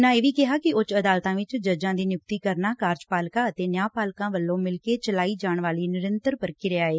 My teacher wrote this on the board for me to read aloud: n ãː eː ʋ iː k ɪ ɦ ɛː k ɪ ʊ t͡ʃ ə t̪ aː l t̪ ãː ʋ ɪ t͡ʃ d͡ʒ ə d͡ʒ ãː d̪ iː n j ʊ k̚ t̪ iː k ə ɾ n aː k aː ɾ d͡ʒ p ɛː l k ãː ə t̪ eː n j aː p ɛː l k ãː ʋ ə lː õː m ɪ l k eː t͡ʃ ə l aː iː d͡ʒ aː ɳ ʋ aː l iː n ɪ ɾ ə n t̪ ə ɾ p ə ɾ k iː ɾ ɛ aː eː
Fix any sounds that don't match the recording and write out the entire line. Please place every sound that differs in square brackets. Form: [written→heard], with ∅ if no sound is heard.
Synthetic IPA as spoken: n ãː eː ʋ iː k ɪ ɦ [ɛː→aː] k ɪ ʊ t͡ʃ ə [t̪→d̪] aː l t̪ ãː ʋ ɪ t͡ʃ d͡ʒ ə d͡ʒ ãː d̪ iː n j ʊ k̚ t̪ iː k ə ɾ n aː k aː ɾ d͡ʒ p [ɛː→aː] l k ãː ə t̪ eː n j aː p [ɛː→aː] l k ãː ʋ ə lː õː m ɪ l k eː t͡ʃ ə l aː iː d͡ʒ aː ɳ ʋ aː l iː n ɪ ɾ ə n t̪ ə ɾ p ə ɾ k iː ɾ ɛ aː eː